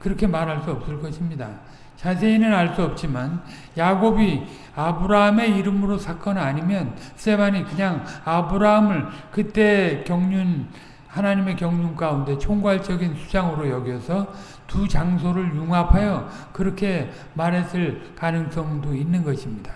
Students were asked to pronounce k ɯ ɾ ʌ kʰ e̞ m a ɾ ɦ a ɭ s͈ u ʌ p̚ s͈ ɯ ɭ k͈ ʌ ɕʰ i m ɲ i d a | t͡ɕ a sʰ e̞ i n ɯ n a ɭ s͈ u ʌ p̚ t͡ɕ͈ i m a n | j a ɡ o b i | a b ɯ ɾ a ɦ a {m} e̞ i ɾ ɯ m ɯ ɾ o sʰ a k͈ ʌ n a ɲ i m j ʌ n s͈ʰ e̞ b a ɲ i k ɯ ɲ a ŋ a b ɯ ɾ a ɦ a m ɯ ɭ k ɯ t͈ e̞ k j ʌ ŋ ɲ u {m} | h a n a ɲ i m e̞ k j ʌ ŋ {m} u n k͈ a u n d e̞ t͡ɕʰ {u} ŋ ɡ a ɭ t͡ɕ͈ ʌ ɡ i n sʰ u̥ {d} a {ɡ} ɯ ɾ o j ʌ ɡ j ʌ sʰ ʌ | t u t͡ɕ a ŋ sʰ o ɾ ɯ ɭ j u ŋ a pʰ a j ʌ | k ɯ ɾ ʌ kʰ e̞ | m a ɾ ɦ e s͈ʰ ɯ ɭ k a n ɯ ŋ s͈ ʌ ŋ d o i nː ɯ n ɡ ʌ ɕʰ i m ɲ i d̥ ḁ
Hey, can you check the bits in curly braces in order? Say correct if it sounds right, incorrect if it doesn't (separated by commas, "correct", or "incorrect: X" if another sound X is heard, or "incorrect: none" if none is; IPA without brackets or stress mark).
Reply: correct, incorrect: n, incorrect: ɲ, incorrect: o, incorrect: d͡ʑ, incorrect: ŋ